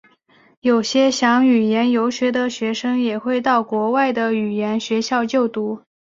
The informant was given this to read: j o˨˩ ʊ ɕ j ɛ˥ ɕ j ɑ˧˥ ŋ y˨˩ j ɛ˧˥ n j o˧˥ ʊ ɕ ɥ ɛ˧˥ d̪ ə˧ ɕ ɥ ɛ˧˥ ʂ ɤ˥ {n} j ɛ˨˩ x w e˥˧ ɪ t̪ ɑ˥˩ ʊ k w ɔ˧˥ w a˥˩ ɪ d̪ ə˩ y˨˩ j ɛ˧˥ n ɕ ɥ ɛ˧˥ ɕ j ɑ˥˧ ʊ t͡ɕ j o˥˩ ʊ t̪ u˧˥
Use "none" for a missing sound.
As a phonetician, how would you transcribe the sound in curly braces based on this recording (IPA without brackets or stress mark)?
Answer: ŋ